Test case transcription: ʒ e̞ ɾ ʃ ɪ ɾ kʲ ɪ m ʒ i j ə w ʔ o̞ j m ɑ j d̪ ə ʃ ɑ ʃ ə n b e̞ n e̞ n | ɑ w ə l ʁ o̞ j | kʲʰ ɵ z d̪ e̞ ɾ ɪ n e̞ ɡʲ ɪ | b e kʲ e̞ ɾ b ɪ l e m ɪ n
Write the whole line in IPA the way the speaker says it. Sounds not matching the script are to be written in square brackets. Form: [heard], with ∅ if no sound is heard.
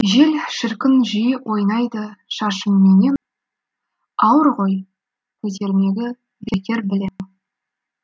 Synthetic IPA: ʒ e̞ [l] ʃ ɪ ɾ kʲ ɪ [n] ʒ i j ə w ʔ o̞ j [n] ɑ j d̪ ə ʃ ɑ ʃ ə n [m] e̞ n e̞ n | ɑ w ə [ɾ] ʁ o̞ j | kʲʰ ɵ z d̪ e̞ ɾ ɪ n e̞ ɡʲ ɪ | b e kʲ e̞ ɾ b ɪ l e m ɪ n

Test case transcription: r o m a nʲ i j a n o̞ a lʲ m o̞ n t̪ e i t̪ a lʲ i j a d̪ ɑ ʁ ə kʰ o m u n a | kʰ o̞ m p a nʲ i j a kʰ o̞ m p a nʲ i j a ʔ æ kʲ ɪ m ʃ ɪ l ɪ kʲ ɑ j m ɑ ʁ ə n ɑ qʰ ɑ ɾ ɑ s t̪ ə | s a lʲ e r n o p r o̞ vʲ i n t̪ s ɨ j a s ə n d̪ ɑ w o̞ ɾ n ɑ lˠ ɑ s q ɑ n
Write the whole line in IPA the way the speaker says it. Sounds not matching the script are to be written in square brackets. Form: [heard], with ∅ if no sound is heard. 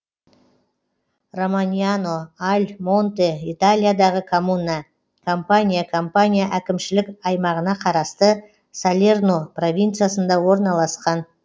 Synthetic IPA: r o m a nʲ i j a n o̞ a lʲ m o̞ n t̪ e i t̪ a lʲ i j a d̪ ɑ ʁ ə kʰ o m u n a | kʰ o̞ m p a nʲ i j a kʰ o̞ m p a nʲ i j a ʔ æ kʲ ɪ m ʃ ɪ l ɪ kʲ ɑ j m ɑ ʁ ə n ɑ qʰ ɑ ɾ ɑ s t̪ ə | s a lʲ e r n o p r o̞ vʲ i n t̪ s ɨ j a s ə n d̪ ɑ w o̞ ɾ n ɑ lˠ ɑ s q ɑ n

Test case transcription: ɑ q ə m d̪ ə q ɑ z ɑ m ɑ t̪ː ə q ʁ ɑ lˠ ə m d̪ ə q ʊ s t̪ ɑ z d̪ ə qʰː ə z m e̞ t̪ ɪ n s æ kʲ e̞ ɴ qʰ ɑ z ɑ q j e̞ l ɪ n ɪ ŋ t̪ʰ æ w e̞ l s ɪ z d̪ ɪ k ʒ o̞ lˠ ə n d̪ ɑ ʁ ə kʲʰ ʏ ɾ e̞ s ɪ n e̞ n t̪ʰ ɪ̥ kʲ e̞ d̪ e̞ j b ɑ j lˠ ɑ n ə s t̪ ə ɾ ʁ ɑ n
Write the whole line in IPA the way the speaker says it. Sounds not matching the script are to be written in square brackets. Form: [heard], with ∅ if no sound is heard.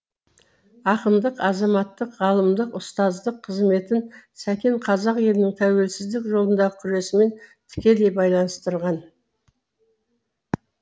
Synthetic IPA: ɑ q ə m d̪ ə q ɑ z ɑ m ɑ t̪ː ə q ʁ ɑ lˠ ə m d̪ ə q ʊ s t̪ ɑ z d̪ ə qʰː ə z m e̞ t̪ ɪ n s æ kʲ e̞ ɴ qʰ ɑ z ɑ q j e̞ l ɪ n ɪ ŋ t̪ʰ æ w e̞ l s ɪ z d̪ ɪ k ʒ o̞ lˠ ə n d̪ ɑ ʁ ə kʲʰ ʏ ɾ e̞ s ɪ [m] e̞ n t̪ʰ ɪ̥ kʲ e̞ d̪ e̞ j b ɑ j lˠ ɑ n ə s t̪ ə ɾ ʁ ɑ n

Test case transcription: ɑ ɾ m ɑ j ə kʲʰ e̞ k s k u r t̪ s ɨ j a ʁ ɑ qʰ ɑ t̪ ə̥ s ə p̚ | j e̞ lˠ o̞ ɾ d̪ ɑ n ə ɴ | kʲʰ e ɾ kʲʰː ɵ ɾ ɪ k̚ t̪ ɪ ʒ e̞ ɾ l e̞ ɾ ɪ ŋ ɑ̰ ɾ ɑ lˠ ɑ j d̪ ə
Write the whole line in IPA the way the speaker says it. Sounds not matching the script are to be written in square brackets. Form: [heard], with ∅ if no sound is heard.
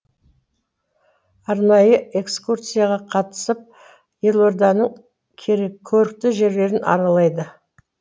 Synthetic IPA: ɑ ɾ [n] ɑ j ə [∅] e̞ k s k u r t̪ s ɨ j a ʁ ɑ qʰ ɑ t̪ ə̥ s ə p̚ | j e̞ lˠ o̞ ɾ d̪ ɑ n ə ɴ | kʲʰ e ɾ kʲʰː ɵ ɾ ɪ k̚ t̪ ɪ ʒ e̞ ɾ l e̞ ɾ ɪ [n] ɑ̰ ɾ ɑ lˠ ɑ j d̪ ə

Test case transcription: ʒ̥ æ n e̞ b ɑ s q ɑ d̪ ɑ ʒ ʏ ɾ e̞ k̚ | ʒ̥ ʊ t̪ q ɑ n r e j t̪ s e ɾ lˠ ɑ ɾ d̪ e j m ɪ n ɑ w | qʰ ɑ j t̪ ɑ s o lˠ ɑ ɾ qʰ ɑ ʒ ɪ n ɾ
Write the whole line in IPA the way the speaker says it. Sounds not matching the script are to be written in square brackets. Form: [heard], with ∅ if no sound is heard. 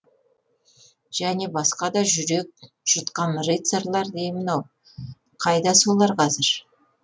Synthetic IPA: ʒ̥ æ n e̞ b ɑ s q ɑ d̪ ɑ ʒ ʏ ɾ e̞ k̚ | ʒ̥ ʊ t̪ q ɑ n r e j t̪ s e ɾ lˠ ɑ ɾ d̪ e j m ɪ n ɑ w | qʰ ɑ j [d̪] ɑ s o lˠ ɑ ɾ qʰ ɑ [z] ɪ [∅] ɾ

